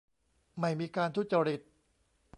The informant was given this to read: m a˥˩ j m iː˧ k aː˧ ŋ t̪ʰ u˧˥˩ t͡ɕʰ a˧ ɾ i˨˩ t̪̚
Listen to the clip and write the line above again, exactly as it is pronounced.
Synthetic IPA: m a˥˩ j m iː˧ k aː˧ n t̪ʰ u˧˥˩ t͡ɕ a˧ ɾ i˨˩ t̪̚